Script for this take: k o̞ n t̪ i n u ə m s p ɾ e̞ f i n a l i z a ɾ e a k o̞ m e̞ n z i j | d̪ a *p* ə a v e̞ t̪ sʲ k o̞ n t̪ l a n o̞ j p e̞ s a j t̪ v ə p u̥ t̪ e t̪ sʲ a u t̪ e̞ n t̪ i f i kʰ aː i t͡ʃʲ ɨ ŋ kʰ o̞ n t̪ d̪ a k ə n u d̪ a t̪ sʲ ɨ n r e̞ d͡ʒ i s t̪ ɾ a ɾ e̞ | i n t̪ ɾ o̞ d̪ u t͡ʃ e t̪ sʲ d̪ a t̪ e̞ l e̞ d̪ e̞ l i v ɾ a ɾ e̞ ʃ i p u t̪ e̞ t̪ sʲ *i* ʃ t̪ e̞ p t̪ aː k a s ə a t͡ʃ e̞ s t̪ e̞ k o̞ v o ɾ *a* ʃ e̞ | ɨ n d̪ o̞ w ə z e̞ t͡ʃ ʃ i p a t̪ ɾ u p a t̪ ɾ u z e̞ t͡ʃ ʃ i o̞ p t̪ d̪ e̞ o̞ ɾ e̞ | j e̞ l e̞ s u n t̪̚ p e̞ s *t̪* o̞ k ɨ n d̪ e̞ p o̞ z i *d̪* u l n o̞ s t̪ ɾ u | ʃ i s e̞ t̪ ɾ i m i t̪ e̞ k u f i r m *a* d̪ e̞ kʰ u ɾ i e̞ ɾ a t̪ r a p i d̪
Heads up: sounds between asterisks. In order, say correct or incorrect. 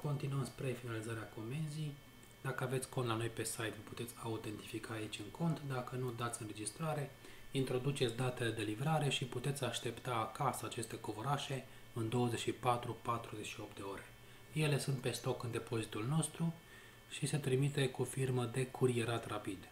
incorrect: k, incorrect: a, correct, correct, incorrect: t̪, incorrect: ə

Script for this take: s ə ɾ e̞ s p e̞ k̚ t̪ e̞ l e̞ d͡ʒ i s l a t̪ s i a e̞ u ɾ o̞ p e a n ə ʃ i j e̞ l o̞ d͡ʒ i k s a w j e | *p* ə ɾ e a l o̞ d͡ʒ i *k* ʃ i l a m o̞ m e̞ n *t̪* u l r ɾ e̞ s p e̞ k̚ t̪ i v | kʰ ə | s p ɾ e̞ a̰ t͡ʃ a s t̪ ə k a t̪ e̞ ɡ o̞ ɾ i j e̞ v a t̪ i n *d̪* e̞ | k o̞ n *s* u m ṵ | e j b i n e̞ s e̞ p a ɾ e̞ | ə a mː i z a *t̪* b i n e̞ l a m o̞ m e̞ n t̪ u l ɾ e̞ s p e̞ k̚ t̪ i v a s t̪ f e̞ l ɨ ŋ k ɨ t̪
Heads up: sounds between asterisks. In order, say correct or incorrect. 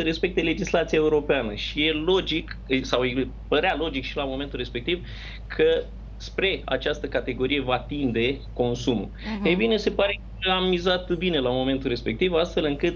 correct, correct, correct, correct, correct, correct

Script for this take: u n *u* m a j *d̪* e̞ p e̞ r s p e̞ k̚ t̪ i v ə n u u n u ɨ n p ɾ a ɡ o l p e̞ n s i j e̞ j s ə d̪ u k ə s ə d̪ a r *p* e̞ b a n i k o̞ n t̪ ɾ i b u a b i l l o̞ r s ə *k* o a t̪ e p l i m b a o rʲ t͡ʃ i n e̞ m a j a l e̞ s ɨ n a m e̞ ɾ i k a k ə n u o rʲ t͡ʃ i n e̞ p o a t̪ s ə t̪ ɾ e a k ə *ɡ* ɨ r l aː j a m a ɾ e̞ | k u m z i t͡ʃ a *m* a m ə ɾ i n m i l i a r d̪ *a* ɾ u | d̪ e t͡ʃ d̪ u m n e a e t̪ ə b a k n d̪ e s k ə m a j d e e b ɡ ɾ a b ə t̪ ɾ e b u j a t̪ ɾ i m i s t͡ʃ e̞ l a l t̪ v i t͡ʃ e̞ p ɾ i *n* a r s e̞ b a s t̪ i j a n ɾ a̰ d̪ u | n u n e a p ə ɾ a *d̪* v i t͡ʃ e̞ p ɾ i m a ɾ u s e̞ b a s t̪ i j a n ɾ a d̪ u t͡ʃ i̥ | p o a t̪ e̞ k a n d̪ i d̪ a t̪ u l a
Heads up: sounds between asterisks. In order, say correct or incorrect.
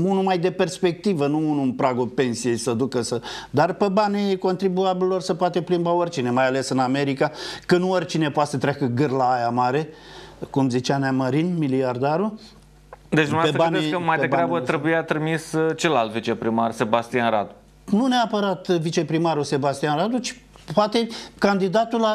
correct, correct, correct, incorrect: p, correct, incorrect: n, correct, incorrect: m, incorrect: t̪

